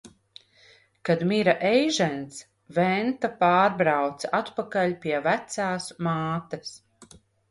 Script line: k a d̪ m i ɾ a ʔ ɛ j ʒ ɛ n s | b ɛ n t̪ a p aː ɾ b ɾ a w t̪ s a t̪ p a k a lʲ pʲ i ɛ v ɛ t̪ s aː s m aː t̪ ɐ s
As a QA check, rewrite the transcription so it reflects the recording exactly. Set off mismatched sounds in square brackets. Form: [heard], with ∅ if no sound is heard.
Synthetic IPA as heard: k a d̪ m i ɾ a ʔ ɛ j ʒ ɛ n s | [v] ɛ n t̪ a p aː ɾ b ɾ a w t̪ s a t̪ p a k a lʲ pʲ i ɛ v [æ] t̪ s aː s m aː t̪ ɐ s